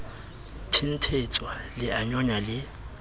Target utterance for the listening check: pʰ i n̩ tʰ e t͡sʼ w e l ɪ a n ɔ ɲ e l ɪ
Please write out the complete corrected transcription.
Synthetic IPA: tʰ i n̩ tʰ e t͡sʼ w a l ɪ a ɲ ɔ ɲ a l ɪ